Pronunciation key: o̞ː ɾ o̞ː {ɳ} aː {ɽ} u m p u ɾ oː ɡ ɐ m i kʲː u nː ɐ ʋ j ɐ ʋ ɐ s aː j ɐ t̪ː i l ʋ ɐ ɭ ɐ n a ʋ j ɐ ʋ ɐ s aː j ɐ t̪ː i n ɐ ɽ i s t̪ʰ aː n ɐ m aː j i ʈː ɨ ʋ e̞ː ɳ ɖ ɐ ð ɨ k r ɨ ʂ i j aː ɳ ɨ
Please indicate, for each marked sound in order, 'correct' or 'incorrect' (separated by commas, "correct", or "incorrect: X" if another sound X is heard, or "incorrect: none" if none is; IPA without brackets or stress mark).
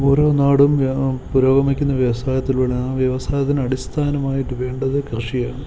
incorrect: n, correct